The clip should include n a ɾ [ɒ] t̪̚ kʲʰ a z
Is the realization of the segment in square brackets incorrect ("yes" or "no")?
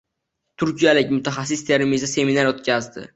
yes